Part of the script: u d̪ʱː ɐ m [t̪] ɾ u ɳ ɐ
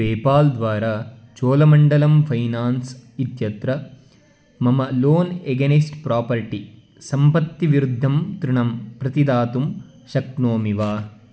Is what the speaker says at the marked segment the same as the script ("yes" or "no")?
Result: yes